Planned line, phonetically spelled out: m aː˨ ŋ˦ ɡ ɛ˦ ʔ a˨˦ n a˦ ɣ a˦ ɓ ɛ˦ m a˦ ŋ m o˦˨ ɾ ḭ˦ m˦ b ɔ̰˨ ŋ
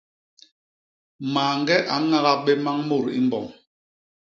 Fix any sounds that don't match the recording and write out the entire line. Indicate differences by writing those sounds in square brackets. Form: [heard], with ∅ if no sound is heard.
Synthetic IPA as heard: m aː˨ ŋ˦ ɡ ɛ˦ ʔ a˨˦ [ŋ] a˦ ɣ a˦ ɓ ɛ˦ m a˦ ŋ m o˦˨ ɾ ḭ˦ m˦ b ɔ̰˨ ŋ